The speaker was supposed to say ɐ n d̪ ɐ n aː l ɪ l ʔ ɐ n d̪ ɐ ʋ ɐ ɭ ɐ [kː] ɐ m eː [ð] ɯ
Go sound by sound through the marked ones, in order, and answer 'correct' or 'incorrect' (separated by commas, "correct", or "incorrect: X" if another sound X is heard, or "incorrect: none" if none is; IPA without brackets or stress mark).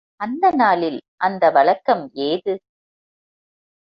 correct, correct